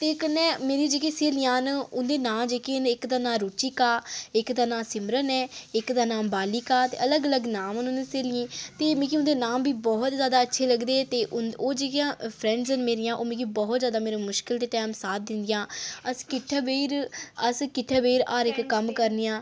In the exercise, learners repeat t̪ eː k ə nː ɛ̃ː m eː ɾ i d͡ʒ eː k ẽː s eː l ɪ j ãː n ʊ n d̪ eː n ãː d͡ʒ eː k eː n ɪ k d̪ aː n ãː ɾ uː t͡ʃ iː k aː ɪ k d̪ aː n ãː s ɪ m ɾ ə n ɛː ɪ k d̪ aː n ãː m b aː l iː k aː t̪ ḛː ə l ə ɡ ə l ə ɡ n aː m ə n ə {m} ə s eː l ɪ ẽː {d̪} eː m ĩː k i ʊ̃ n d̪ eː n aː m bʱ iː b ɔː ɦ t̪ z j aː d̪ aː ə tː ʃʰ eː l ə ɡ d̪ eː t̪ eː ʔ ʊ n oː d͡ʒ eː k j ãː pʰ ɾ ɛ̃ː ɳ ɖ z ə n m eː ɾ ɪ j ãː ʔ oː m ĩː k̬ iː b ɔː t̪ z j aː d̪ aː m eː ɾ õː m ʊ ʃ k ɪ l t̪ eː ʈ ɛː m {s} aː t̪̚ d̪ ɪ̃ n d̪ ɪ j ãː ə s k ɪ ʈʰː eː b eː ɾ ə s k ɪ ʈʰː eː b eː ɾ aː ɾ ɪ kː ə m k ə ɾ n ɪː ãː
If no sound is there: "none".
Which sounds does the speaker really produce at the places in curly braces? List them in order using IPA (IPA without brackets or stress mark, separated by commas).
n, t̪, s